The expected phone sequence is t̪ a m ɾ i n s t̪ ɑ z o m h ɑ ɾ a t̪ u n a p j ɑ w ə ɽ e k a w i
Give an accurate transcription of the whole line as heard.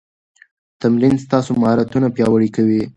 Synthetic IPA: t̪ a m ɾ i n s t̪ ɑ s o m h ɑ ɾ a t̪ u n a p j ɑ w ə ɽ i k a w i